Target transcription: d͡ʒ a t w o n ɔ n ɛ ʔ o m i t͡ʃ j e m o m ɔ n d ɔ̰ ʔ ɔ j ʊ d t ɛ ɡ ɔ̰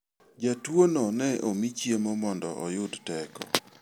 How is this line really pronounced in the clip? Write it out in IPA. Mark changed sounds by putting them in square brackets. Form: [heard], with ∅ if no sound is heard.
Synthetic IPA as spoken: d͡ʒ a t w o n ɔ n ɛ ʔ o m i t͡ʃ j e m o m ɔ n d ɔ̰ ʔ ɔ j ʊ d t ɛ [k] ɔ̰